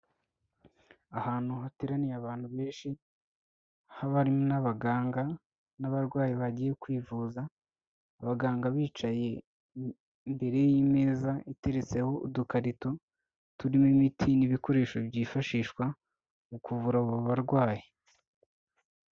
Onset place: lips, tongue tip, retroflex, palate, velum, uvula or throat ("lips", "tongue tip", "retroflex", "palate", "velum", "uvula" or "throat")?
throat